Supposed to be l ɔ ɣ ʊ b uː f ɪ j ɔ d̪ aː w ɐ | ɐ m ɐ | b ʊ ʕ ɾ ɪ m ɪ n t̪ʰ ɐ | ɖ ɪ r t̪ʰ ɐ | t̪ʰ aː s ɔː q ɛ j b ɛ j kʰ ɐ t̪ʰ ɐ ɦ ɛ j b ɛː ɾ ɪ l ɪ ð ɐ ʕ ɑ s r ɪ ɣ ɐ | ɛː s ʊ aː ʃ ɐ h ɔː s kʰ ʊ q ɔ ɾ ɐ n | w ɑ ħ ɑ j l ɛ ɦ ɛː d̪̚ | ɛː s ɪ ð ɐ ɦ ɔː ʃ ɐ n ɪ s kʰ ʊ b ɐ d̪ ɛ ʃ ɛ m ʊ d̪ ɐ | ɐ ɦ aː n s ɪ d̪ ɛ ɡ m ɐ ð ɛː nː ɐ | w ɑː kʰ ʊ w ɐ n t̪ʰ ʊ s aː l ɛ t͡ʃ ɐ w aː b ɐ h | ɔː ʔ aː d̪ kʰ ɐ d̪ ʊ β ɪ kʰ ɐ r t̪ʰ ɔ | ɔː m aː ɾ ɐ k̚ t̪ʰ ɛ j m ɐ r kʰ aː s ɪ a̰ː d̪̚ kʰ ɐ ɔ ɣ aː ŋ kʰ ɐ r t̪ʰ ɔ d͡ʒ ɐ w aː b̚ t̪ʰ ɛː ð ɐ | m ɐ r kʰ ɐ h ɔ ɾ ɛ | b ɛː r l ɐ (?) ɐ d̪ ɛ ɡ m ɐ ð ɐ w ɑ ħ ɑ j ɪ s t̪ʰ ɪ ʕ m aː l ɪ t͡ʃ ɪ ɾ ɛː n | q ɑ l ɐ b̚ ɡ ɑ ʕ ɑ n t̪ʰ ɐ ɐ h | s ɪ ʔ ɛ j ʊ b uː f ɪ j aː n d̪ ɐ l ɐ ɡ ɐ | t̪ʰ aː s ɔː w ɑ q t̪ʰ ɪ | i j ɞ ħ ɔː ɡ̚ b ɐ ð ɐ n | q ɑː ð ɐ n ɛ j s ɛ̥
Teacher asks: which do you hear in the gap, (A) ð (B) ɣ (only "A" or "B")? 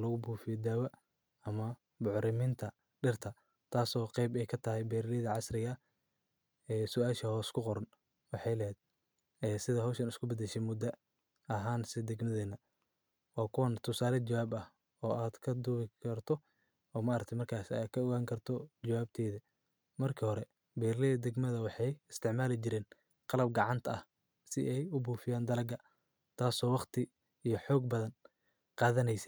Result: A